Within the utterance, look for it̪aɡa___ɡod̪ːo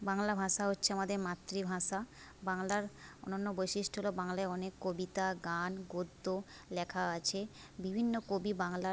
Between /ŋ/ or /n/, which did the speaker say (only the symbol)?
n